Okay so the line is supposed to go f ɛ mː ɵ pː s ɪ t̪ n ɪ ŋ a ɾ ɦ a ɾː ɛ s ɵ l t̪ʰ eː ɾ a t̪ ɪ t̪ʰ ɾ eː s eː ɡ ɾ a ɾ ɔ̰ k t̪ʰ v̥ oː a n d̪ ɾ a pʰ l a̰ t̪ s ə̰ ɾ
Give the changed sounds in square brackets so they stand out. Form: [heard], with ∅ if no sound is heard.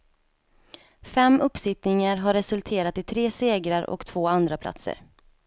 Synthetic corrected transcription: f ɛ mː ɵ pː s ɪ t̪ n ɪ ŋ a ɾ ɦ a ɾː ɛ s ɵ l t̪ʰ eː ɾ a t̪ ɪ t̪ʰ ɾ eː s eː ɡ ɾ a ɾ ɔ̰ k t̪ʰ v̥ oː a n d̪ ɾ a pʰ l a̰ t̪ s ə̰ ɾ